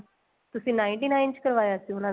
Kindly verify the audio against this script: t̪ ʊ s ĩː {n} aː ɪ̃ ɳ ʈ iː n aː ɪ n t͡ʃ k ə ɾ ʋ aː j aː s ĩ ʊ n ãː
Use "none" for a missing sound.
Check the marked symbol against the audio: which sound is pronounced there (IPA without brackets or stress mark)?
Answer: n